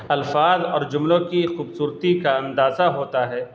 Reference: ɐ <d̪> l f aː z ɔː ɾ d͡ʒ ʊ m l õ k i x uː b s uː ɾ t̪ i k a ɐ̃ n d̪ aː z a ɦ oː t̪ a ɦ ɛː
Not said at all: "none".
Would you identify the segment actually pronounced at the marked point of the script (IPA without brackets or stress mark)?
none